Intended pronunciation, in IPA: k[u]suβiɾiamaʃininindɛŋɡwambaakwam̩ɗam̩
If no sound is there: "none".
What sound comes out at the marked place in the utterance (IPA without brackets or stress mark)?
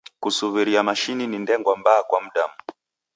u